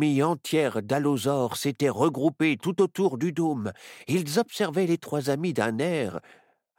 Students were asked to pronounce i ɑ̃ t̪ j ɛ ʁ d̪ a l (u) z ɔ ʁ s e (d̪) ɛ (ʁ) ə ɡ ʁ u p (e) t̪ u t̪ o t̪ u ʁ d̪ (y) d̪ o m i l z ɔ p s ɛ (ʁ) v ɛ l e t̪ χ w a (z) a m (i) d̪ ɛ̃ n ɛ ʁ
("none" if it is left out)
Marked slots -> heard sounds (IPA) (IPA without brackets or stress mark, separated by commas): o, t̪, ʁ, e, y, ʁ, z, i